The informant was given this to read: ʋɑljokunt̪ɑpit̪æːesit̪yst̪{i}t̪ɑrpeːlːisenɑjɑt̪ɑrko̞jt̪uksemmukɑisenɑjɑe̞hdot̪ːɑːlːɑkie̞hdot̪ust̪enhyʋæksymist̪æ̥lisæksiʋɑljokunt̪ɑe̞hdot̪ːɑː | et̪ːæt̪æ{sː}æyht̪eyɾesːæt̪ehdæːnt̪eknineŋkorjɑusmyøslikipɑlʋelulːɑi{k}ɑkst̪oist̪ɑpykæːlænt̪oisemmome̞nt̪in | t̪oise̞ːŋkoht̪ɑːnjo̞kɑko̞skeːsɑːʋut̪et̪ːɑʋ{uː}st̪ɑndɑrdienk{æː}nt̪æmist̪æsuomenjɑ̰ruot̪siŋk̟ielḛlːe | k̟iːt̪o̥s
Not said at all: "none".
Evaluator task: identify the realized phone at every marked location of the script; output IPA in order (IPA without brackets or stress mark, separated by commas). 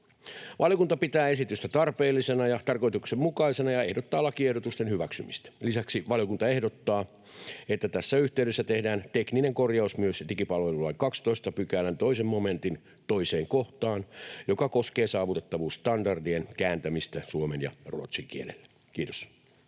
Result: æ, sː, k, uː, æː